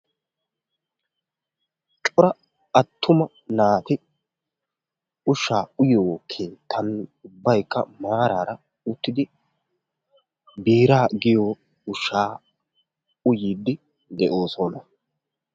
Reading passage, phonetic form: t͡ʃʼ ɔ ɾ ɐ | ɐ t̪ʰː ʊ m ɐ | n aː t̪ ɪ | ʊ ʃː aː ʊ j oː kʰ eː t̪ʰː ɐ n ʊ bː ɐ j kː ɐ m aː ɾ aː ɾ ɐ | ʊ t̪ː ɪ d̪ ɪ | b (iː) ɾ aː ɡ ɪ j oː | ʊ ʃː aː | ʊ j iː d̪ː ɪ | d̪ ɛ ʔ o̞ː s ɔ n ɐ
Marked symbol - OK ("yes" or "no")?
yes